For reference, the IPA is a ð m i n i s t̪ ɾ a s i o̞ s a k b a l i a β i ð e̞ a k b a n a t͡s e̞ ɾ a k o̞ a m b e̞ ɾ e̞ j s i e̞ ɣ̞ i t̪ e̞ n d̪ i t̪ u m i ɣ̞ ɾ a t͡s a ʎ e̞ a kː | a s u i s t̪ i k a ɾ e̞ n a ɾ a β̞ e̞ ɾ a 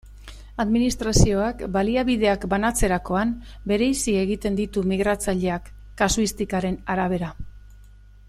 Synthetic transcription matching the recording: a ð m i n i s t̪ ɾ a s i o̞ a k b a l i a β i ð e̞ a k b a n a t͡s e̞ ɾ a k o̞ a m b e̞ ɾ e̞ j s i e̞ ɣ̞ i t̪ e̞ n d̪ i t̪ u m i ɣ̞ ɾ a t͡s a ʎ e̞ a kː | a s u i s t̪ i k a ɾ e̞ n a ɾ a β̞ e̞ ɾ a